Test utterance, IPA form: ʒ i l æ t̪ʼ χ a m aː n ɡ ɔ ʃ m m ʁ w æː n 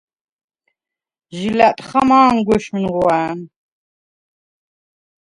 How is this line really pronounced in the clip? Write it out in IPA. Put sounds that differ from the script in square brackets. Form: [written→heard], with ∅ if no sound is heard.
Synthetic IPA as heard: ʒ i l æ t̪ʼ χ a m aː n ɡ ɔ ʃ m [m→n] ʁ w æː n